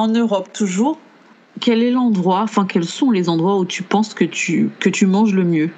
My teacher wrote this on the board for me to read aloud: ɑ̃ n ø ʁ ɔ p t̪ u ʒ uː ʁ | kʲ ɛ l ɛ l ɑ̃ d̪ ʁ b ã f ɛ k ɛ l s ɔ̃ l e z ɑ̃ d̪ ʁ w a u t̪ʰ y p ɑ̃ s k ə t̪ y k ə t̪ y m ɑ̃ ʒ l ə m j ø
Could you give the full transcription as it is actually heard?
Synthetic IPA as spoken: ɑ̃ n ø ʁ ɔ p t̪ u ʒ uː ʁ | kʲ ɛ l ɛ l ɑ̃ d̪ ʁ w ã f ɛ̃ k ɛ l s ɔ̃ l e z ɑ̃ d̪ ʁ w a u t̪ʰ y p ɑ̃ s k ə t̪ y k ə t̪ y m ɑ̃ ʒ l ə m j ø